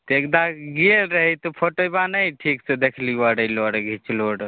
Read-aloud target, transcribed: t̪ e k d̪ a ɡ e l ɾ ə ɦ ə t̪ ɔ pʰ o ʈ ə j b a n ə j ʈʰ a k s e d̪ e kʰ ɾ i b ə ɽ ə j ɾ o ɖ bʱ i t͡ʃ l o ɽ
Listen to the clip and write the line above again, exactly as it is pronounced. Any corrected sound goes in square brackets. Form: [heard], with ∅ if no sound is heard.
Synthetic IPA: t̪ e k d̪ a ɡ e l ɾ ə ɦ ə t̪ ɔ pʰ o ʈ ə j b a n ə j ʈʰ [i] k s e d̪ e kʰ [l] i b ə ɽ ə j [l] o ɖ [ɡʱ] i t͡ʃ l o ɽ